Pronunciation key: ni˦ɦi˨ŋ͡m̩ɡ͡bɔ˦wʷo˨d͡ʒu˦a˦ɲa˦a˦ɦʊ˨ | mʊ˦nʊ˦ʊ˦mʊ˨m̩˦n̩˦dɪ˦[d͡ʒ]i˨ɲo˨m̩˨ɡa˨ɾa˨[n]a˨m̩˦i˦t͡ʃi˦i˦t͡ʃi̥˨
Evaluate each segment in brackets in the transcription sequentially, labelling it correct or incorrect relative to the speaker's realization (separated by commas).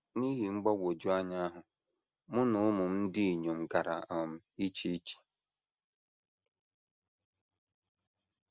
incorrect, incorrect